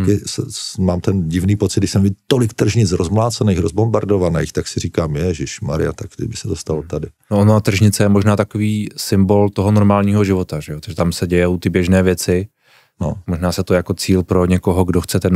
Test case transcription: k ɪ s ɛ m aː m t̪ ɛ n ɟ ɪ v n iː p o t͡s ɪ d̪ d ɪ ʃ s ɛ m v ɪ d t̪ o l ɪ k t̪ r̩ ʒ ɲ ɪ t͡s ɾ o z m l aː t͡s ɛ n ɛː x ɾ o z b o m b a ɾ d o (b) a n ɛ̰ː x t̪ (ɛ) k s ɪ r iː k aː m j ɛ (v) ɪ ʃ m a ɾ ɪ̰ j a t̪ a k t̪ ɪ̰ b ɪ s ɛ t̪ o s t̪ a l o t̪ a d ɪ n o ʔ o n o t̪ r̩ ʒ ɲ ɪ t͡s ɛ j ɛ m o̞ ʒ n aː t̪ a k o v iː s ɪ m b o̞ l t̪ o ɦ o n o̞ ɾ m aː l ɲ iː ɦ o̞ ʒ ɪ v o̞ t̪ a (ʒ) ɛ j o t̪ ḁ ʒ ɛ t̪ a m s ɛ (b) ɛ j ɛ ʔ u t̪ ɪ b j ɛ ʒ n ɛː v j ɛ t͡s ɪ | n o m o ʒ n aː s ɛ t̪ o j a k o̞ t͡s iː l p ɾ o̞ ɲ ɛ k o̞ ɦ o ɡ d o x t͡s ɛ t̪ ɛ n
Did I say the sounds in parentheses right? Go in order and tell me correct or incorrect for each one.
incorrect: v, incorrect: a, incorrect: ʒ, correct, incorrect: ɟ

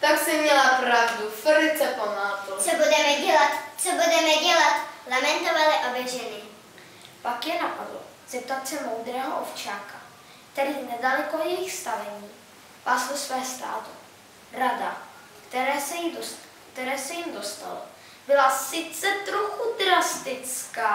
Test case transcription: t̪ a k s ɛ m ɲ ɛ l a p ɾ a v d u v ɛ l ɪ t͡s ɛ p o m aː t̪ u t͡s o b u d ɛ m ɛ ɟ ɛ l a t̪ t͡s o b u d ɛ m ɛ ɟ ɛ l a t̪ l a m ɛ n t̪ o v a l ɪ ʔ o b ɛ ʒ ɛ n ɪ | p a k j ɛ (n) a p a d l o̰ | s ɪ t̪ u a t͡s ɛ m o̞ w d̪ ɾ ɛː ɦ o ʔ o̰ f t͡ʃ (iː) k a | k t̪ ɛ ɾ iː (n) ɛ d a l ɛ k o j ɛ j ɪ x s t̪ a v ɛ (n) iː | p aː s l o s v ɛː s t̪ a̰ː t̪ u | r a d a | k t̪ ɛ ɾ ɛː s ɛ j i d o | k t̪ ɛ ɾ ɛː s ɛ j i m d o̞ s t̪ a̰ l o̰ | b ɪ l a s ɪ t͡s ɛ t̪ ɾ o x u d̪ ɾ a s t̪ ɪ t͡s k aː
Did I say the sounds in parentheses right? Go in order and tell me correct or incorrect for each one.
correct, incorrect: aː, correct, incorrect: ɲ

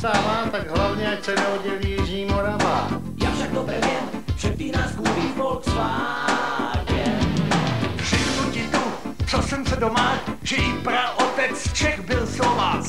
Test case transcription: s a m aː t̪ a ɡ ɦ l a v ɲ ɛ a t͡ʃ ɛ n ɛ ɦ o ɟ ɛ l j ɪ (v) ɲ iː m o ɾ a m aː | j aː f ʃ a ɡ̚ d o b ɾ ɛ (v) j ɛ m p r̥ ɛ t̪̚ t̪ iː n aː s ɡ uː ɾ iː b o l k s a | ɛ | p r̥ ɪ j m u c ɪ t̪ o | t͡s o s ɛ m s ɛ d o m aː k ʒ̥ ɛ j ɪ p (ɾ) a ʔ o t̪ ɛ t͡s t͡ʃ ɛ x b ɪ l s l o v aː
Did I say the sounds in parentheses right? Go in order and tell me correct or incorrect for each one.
incorrect: ʒ, correct, correct

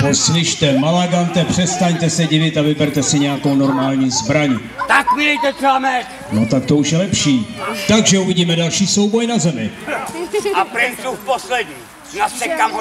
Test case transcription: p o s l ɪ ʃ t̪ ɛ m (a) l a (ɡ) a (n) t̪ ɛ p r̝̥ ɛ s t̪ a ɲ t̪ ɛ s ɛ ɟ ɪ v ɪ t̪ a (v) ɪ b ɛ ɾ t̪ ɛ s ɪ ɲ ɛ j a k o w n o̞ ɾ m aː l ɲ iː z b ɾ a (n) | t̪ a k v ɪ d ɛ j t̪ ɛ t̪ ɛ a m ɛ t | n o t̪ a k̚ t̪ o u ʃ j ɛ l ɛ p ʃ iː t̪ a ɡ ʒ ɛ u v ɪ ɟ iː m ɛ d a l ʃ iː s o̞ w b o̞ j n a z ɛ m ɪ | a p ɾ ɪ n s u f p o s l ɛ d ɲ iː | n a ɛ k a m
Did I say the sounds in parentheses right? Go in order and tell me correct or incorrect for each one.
correct, correct, correct, correct, incorrect: ɲ

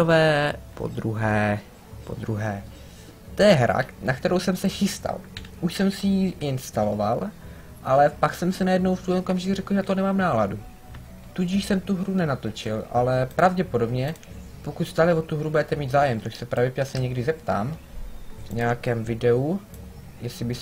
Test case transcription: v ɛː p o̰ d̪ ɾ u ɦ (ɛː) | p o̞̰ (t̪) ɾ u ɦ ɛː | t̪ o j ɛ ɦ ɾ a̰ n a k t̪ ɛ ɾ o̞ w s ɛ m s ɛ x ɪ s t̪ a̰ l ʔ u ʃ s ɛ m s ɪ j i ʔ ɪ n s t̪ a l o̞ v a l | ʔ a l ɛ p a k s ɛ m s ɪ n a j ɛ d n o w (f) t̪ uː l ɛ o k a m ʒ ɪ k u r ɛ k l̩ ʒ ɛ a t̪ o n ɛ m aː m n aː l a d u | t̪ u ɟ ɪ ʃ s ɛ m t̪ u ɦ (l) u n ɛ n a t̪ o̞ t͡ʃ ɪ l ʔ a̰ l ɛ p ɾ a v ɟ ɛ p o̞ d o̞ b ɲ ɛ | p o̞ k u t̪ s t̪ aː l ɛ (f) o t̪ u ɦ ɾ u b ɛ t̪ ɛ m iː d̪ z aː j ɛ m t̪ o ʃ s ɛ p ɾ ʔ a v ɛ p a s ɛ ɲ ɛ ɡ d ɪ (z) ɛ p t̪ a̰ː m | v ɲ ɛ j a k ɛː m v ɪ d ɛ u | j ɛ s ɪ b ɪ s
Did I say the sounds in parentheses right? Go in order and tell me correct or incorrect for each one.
correct, incorrect: d̪, correct, incorrect: ɾ, incorrect: v, correct

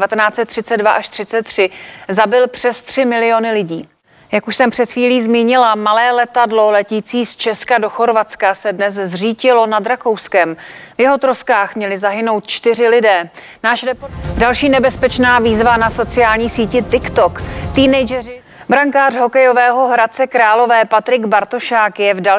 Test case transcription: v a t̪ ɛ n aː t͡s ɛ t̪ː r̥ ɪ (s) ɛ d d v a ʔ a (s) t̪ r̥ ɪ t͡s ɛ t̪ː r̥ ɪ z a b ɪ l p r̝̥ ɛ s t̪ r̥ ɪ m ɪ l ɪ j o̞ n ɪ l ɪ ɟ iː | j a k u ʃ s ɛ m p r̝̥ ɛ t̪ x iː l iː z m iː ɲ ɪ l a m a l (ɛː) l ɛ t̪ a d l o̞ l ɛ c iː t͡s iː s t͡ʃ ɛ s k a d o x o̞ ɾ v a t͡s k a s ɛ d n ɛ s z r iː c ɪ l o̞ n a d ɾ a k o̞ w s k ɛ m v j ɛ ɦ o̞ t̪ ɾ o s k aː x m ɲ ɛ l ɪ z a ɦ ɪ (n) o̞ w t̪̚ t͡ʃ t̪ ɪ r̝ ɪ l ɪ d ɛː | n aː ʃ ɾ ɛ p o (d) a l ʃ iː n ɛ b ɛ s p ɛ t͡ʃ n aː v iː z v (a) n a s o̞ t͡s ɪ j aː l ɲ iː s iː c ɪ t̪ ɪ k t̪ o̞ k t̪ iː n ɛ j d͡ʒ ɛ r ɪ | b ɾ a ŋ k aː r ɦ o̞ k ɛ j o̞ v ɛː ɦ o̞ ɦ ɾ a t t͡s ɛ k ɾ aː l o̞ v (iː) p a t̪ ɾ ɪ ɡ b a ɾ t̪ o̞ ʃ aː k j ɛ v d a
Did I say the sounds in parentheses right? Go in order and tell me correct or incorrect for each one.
incorrect: t͡s, incorrect: ʃ, correct, correct, correct, correct, incorrect: ɛː

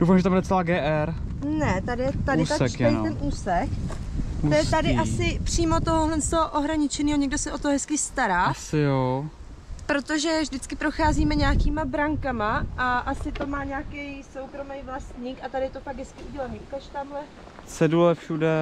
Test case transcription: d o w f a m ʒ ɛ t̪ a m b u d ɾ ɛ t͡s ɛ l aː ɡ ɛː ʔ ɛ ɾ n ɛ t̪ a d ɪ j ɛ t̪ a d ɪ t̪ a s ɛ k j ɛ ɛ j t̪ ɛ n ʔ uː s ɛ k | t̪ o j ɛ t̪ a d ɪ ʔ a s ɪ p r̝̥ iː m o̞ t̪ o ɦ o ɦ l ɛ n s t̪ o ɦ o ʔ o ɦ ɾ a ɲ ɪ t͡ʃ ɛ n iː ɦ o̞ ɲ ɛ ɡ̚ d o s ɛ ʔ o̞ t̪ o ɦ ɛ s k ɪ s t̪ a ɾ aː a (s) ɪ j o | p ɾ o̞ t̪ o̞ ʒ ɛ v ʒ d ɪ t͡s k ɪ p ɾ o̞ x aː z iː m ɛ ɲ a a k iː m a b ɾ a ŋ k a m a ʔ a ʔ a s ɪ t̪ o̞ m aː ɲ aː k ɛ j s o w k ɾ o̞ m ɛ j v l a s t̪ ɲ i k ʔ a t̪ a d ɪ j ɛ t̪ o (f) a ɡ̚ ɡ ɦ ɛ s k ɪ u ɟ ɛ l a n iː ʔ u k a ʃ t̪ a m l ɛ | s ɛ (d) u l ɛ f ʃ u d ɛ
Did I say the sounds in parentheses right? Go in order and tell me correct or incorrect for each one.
correct, correct, correct

